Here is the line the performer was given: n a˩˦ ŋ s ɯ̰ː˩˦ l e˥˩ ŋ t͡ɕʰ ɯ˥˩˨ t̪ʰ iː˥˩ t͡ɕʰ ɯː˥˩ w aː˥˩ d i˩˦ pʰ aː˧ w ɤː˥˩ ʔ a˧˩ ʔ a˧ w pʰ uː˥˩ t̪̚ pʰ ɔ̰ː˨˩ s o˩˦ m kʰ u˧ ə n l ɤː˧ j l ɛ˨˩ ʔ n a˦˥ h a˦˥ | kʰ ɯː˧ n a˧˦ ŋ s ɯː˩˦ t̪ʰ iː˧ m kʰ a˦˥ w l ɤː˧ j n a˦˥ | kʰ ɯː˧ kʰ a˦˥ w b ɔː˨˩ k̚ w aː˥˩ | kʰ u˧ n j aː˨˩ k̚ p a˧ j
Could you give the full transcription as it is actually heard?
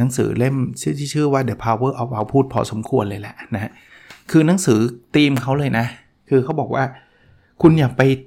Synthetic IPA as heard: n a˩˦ ŋ s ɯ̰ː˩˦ l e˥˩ m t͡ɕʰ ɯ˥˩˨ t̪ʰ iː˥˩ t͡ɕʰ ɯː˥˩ w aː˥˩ d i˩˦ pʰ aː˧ w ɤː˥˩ ʔ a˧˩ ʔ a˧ w pʰ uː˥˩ t̪̚ pʰ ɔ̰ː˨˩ s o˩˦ m kʰ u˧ ə n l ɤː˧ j l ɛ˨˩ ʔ n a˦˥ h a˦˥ | kʰ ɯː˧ n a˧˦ ŋ s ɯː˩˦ t̪ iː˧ m kʰ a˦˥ w l ɤː˧ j n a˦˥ | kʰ ɯː˧ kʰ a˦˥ w b ɔː˨˩ k̚ w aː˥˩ | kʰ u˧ n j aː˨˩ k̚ p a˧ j